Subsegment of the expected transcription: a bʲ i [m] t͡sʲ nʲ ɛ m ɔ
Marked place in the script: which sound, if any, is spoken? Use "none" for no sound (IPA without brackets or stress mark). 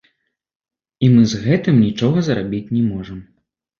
none